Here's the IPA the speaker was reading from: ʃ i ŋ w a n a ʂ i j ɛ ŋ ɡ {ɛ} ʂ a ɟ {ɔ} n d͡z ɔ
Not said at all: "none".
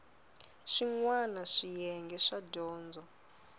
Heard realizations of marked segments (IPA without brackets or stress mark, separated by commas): ɛ, ɔː